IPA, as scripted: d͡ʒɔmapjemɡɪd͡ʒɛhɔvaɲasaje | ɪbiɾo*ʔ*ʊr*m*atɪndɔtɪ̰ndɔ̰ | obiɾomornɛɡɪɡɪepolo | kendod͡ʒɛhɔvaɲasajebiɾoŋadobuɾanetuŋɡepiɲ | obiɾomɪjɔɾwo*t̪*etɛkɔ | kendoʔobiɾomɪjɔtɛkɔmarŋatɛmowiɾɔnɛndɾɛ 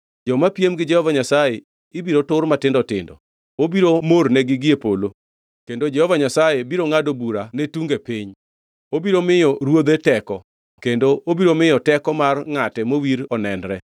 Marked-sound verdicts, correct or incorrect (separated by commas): incorrect, correct, incorrect